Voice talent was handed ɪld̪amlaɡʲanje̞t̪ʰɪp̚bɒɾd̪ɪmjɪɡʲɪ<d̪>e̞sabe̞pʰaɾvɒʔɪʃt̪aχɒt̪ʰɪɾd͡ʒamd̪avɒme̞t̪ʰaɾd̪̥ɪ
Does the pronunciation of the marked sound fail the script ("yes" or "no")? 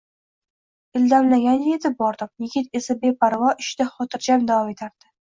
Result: yes